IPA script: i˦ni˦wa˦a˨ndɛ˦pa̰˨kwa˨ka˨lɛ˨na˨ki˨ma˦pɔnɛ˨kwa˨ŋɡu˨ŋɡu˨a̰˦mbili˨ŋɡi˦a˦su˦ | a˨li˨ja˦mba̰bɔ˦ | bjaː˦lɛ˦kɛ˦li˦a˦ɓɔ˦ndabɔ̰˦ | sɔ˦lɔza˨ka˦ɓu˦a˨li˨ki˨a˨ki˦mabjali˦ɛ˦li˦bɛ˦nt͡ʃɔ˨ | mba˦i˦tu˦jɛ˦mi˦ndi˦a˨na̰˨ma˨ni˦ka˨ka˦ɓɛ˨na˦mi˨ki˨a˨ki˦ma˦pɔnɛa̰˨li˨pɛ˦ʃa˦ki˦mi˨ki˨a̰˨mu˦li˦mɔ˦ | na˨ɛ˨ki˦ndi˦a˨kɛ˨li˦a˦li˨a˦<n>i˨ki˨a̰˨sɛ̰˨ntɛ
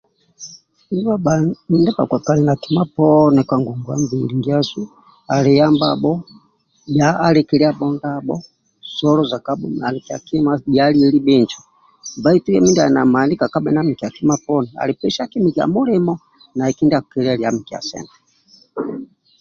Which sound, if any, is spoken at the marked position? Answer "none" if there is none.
m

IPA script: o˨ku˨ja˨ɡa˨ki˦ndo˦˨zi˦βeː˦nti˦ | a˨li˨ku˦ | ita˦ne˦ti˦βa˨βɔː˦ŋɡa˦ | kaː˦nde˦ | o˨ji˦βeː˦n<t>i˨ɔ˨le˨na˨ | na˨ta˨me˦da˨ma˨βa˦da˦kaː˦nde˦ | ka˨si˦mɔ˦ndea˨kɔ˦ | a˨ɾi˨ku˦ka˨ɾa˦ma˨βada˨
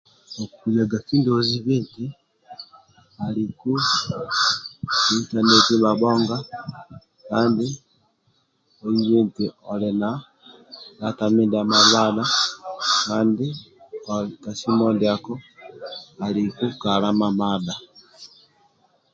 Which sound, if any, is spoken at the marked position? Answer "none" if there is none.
t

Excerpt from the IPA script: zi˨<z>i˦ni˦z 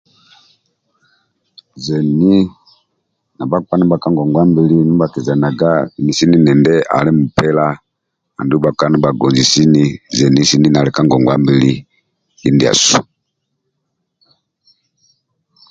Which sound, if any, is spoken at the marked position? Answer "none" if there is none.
s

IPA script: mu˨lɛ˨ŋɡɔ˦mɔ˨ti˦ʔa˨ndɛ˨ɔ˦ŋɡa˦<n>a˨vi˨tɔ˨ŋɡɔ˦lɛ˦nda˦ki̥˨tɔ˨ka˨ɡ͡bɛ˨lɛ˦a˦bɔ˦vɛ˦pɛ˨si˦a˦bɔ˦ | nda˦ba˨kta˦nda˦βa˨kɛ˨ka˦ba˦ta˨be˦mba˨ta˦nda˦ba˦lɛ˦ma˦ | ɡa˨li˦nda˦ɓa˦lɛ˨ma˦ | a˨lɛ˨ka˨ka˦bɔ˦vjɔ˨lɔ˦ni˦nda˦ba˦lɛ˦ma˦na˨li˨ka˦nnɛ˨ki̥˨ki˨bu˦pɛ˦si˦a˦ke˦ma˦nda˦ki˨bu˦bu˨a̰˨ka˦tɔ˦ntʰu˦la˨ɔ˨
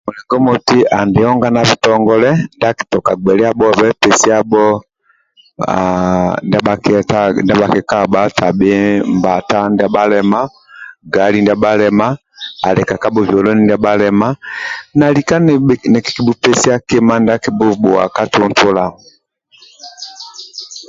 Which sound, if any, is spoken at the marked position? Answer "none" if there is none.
n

